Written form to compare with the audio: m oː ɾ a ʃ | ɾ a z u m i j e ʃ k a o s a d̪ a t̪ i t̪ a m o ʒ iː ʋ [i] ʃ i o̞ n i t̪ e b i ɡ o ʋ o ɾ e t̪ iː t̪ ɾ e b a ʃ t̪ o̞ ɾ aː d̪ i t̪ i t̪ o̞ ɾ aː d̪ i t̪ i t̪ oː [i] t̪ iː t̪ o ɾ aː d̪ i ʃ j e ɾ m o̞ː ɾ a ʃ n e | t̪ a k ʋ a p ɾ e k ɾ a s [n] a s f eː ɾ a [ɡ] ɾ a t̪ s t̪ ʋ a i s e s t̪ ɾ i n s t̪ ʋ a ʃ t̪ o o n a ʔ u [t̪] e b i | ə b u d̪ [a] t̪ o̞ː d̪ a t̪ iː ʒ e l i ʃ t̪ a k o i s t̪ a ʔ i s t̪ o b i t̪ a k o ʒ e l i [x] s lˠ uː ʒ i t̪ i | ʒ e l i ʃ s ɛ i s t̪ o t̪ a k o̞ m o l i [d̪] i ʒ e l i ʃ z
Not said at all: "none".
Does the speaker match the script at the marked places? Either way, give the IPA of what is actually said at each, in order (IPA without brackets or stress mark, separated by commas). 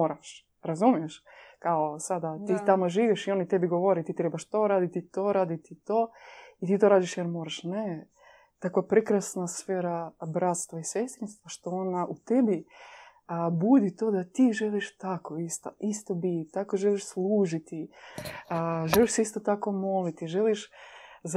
i, i, n, b, t̪, i, ʃ, t̪